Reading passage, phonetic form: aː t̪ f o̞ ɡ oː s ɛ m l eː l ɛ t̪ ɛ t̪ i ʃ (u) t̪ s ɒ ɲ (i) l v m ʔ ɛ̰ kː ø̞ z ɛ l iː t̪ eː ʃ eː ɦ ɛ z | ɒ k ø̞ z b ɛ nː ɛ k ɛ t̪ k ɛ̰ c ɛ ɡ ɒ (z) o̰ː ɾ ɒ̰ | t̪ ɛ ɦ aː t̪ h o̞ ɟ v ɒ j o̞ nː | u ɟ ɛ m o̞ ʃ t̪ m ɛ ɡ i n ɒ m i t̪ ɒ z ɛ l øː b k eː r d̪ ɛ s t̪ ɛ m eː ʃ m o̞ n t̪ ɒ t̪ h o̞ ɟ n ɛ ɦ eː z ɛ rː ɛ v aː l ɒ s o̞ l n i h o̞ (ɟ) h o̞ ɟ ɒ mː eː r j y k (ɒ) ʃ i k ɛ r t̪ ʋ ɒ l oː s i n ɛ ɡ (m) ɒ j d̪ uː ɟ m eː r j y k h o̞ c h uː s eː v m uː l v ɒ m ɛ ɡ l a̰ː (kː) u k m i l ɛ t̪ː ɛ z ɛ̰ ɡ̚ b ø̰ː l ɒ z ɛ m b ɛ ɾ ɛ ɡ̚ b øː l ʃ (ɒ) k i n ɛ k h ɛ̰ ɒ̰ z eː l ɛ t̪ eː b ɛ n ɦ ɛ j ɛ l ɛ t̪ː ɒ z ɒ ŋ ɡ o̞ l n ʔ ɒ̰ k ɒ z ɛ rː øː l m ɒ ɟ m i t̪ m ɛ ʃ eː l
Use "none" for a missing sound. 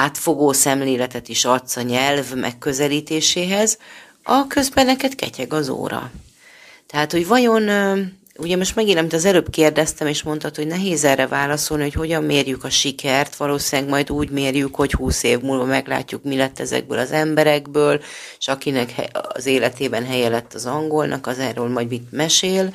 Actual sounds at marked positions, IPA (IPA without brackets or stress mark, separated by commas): ɒ, ɛ, z, c, ɒ, m, cː, ɒ